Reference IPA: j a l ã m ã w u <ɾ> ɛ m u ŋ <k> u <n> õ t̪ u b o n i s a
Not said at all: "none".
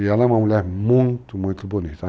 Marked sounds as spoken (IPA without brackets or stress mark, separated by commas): l, t, m